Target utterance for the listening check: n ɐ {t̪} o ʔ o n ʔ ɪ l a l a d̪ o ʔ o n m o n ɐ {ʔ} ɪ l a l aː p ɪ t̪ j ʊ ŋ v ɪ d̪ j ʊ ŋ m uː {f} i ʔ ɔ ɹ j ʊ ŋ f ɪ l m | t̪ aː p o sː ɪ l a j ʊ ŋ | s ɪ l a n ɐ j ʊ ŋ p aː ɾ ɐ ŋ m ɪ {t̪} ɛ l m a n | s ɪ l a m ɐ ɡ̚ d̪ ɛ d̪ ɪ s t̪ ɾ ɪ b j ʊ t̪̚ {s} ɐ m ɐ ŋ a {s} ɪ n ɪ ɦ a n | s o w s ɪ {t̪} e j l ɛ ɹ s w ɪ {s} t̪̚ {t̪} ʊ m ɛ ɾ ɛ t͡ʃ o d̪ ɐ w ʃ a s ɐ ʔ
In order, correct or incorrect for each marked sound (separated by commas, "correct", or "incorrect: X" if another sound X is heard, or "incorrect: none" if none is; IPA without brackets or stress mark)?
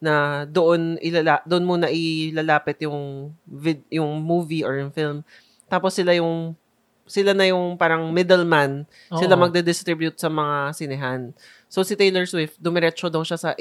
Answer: incorrect: d̪, correct, incorrect: v, incorrect: d̪, correct, correct, correct, incorrect: f, incorrect: d̪